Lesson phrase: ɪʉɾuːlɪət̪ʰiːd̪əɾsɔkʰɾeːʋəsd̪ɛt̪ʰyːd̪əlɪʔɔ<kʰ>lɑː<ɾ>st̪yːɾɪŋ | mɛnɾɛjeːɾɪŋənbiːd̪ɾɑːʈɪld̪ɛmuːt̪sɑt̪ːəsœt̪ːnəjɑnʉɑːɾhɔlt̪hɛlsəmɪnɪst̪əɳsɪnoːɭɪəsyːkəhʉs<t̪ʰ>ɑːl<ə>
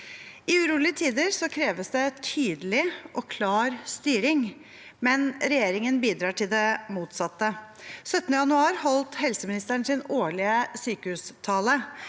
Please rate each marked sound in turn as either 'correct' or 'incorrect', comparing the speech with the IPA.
correct, correct, correct, correct

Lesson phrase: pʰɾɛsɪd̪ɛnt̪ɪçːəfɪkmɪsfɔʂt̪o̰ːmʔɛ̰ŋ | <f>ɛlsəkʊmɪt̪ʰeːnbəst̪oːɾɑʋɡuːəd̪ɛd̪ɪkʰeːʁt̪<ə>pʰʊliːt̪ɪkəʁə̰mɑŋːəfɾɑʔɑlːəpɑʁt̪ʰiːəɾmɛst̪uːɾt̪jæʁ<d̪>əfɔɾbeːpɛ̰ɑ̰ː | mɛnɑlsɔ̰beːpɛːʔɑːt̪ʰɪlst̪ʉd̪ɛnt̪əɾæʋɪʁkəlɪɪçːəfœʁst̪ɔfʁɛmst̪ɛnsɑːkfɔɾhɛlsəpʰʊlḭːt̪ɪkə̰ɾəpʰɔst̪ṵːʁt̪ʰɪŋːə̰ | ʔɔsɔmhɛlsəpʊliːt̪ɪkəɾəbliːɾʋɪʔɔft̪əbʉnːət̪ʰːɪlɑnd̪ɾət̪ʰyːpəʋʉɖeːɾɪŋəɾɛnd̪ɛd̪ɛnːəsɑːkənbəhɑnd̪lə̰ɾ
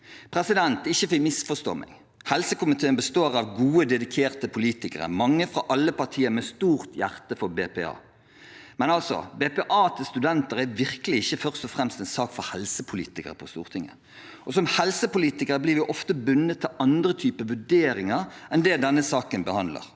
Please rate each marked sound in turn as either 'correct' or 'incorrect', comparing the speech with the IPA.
incorrect, correct, incorrect

